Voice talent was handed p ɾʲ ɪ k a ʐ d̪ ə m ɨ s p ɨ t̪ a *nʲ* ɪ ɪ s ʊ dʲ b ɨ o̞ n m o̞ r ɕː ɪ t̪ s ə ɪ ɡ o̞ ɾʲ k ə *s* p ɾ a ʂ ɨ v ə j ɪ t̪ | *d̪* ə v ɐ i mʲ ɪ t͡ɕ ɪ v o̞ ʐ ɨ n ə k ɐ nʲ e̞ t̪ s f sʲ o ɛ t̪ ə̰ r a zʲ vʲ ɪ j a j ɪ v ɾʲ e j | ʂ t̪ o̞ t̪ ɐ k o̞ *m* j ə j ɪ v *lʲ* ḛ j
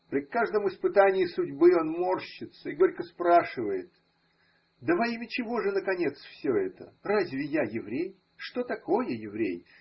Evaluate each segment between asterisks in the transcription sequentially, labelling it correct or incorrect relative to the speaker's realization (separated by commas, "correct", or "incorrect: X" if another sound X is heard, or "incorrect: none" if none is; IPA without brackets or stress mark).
correct, correct, correct, incorrect: none, incorrect: ɾʲ